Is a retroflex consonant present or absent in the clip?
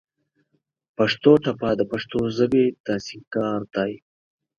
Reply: present